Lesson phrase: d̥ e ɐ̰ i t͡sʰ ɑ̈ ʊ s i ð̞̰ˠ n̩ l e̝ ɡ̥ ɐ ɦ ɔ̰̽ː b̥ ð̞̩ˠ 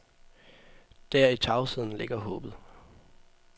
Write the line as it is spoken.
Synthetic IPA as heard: d̥ æ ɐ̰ i t͡sʰ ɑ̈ ʊ s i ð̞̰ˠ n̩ l e̝ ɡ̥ ɐ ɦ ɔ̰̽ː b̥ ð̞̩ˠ